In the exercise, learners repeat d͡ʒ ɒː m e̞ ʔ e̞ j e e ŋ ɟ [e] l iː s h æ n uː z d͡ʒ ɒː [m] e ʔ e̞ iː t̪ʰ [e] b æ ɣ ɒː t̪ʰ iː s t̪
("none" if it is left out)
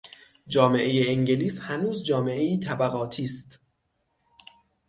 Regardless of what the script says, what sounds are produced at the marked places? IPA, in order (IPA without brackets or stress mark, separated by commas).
e, m, æ